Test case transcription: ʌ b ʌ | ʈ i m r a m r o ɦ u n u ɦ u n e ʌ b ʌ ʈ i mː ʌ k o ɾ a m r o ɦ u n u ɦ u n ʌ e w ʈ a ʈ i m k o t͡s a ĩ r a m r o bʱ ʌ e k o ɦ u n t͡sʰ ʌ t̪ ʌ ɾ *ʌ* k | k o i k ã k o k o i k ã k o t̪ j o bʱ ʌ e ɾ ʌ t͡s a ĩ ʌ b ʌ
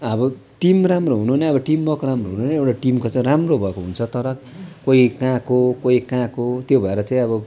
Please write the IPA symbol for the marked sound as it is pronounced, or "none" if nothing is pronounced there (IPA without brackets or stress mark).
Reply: ʌ